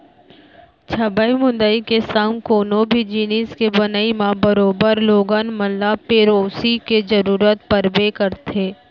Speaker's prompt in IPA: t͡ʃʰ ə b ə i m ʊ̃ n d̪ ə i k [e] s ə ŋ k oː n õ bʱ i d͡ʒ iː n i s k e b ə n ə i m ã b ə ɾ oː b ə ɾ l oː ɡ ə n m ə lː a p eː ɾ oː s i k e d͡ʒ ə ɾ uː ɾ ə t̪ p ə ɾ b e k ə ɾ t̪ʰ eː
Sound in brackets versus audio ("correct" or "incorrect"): correct